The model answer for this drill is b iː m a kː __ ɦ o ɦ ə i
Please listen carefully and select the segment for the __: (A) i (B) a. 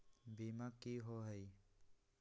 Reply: A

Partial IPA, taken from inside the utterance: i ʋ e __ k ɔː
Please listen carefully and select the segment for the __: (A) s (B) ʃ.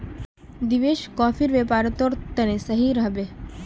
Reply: B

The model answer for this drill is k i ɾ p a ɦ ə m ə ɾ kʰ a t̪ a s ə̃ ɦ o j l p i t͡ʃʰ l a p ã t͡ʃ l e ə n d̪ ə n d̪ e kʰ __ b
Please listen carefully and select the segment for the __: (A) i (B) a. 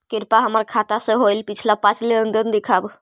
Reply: B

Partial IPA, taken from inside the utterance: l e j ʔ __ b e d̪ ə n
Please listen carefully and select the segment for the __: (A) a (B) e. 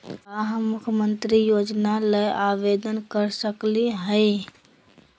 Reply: A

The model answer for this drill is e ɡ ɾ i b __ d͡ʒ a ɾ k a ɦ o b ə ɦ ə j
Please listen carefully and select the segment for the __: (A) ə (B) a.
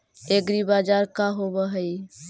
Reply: B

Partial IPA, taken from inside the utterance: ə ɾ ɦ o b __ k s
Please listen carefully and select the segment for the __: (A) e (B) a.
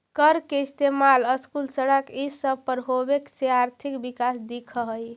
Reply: A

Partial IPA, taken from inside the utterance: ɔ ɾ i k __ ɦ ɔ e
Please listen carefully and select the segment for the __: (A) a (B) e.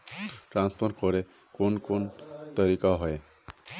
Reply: A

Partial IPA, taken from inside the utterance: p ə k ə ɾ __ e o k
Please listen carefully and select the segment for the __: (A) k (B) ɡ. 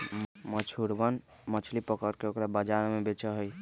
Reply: A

